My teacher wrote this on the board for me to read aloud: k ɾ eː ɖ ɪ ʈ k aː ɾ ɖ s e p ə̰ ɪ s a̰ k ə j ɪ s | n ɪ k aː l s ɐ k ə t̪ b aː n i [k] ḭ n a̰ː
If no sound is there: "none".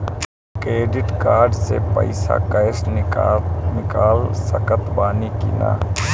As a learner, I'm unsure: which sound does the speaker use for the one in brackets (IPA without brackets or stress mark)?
k